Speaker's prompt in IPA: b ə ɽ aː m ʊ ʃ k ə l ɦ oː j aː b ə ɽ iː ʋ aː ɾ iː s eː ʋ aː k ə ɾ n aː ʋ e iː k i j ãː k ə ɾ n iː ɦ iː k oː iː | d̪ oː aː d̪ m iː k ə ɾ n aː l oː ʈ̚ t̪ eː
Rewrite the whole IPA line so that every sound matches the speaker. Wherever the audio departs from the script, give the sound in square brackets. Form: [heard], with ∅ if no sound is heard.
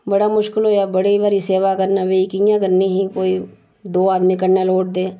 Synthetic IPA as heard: b ə ɽ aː m ʊ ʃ k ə l ɦ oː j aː b ə ɽ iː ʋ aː ɾ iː s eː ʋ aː k ə ɾ n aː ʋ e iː k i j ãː k ə ɾ n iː ɦ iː k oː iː | d̪ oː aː d̪ m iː k ə ɾ n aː l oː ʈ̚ [d̪] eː

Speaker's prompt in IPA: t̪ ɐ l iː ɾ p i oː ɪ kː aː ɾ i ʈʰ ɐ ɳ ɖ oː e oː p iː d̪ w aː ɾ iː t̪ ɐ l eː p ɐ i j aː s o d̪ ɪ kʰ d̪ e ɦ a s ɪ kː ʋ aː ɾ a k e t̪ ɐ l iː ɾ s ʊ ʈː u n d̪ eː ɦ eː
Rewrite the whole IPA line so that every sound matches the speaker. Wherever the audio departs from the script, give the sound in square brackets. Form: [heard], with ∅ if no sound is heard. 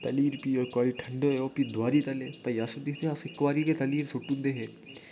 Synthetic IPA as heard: t̪ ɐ l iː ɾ p i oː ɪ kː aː ɾ i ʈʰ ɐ ɳ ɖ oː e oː p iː d̪ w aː ɾ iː t̪ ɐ l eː p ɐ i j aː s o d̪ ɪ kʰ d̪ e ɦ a s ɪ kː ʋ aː ɾ [i] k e t̪ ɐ l iː ɾ s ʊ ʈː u n d̪ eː ɦ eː

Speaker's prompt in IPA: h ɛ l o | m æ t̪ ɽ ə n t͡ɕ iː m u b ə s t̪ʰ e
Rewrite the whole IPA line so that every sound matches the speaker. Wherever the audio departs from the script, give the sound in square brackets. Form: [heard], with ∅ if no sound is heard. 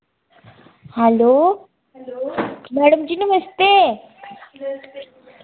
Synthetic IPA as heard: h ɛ l o | m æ [∅] ɽ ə [m] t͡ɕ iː [n] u [m] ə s [t̪] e

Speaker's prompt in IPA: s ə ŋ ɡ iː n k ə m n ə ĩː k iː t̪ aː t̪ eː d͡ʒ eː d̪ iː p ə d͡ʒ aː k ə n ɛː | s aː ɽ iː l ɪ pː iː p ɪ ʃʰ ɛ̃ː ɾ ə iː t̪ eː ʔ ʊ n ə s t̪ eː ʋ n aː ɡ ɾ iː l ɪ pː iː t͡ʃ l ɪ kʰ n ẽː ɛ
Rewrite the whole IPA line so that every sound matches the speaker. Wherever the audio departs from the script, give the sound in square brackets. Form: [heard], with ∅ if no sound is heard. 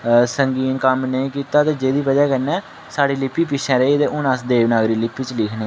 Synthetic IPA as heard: s ə ŋ ɡ iː n k ə m n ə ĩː k iː t̪ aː t̪ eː d͡ʒ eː d̪ iː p ə d͡ʒ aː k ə n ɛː | s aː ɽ iː l ɪ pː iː p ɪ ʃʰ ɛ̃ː ɾ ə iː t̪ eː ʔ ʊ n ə s [d̪] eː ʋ n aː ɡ ɾ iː l ɪ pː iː t͡ʃ l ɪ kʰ n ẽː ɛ

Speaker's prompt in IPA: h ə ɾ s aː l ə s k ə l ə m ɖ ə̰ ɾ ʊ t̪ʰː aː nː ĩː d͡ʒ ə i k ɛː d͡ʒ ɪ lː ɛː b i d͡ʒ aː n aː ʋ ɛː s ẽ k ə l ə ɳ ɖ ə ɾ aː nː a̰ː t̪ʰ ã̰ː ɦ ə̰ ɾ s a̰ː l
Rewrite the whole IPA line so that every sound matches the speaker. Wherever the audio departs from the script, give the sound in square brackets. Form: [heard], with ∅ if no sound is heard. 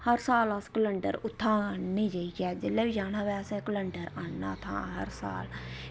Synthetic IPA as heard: h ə ɾ s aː l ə s k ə l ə [ɳ] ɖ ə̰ ɾ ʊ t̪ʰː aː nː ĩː d͡ʒ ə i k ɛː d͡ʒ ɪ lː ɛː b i d͡ʒ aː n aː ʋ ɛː s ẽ k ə l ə ɳ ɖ ə ɾ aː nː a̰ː t̪ʰ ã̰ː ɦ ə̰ ɾ s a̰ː l

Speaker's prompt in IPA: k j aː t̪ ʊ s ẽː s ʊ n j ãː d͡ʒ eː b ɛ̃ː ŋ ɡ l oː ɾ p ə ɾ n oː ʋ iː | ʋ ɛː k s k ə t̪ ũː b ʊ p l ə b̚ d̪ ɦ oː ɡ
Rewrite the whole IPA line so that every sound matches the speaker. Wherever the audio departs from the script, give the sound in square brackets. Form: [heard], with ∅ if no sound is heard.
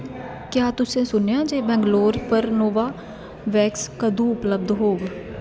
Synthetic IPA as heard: k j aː t̪ ʊ s ẽː s ʊ n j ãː d͡ʒ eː b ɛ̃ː ŋ ɡ l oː ɾ p ə ɾ n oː ʋ [aː] | ʋ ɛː k s k ə [d̪] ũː [∅] ʊ p l ə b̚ d̪ ɦ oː ɡ

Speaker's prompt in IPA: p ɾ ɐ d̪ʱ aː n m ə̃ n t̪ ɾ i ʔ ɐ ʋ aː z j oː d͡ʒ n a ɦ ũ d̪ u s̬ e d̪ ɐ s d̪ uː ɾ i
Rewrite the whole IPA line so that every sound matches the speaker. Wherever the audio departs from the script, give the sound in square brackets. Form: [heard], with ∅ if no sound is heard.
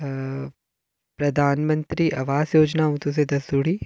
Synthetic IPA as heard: p ɾ ɐ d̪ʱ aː n m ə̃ n t̪ ɾ i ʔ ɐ ʋ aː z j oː d͡ʒ n a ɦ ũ [t̪] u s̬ e d̪ ɐ s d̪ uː [ɽ] i

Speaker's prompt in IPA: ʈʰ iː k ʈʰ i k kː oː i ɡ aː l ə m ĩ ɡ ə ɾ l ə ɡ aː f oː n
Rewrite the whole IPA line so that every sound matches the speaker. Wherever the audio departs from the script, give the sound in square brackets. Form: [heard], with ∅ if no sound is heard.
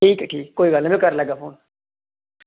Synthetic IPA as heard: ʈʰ iː k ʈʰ [iː] k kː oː i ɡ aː l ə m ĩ [k] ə ɾ l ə ɡ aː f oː n

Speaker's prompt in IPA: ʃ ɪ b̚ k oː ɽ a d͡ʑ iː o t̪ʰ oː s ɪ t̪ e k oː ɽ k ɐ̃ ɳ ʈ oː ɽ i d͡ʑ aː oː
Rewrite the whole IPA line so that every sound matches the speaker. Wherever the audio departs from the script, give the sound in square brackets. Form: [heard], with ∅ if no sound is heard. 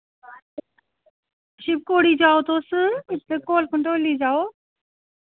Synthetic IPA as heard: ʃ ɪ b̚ k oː ɽ [i] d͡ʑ [aː] o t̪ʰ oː s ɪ t̪ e k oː [l] k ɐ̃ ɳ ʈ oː [l] i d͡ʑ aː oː

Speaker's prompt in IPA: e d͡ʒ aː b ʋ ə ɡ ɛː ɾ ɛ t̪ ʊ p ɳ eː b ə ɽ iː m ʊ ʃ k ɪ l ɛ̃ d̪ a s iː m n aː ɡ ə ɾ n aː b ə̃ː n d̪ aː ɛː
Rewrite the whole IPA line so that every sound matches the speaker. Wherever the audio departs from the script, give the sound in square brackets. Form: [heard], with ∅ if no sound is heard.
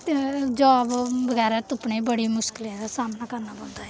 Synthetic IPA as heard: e d͡ʒ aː b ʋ ə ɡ ɛː ɾ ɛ t̪ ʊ p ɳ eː b ə ɽ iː m ʊ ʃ k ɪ l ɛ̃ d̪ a s [aː] m n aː [k] ə ɾ n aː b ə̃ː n d̪ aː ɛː

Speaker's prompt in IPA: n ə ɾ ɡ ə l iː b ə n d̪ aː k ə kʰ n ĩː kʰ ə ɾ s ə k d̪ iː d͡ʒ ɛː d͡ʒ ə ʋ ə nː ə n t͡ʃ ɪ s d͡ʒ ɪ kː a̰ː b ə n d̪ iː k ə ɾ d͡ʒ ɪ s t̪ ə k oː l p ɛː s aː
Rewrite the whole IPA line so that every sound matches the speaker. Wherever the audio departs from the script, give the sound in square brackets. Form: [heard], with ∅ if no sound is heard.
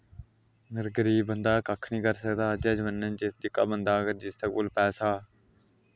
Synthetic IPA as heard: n ə ɾ ɡ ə [ɾ] iː b ə n d̪ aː k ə kʰ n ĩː [k] ə ɾ s ə k d̪ [aː] d͡ʒ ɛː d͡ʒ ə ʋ ə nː ə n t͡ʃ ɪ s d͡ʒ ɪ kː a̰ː b ə n d̪ [aː] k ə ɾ d͡ʒ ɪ s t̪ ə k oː l p ɛː s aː

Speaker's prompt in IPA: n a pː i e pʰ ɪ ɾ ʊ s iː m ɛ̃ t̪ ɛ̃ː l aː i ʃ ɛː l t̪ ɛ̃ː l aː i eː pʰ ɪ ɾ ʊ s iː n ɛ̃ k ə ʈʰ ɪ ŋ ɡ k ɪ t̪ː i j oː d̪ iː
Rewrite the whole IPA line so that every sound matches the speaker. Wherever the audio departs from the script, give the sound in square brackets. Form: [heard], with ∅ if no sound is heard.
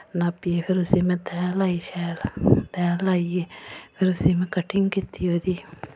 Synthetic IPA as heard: n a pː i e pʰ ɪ ɾ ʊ s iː m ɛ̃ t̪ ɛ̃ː l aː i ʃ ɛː l t̪ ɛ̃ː l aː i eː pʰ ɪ ɾ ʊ s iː [m] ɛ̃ k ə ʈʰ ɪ ŋ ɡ k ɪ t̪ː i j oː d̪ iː

